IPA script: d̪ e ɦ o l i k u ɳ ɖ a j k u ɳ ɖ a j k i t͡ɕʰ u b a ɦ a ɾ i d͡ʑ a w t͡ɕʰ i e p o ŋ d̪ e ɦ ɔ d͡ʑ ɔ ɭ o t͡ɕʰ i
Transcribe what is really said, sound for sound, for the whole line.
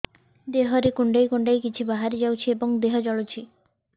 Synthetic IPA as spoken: d̪ e ɦ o ɾ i k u ɳ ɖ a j k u ɳ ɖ a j k i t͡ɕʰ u b a ɦ a ɾ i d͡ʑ a w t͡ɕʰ i e b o ŋ d̪ e ɦ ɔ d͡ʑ ɔ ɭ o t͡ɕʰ i